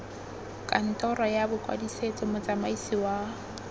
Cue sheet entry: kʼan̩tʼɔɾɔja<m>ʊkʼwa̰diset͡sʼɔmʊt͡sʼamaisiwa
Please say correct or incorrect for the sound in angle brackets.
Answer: incorrect